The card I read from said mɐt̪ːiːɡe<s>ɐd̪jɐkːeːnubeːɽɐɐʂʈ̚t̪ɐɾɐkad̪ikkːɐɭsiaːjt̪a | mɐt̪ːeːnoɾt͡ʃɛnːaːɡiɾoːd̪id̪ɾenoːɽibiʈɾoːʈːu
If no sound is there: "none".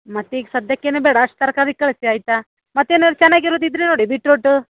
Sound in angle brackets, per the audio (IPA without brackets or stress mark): s